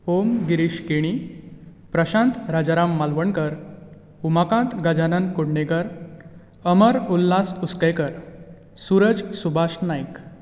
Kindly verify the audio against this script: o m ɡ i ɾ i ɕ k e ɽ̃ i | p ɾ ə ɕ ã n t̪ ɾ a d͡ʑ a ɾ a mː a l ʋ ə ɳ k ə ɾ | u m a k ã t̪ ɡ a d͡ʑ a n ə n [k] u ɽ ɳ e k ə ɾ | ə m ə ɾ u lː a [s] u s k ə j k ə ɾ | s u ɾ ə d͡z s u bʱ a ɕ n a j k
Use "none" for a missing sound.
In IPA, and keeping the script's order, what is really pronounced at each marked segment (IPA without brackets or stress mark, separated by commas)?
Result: k, s